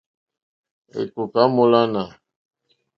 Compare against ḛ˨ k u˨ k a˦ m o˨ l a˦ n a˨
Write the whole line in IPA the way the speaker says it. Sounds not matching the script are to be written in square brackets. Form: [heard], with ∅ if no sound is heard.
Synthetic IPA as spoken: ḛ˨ k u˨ k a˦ m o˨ l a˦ n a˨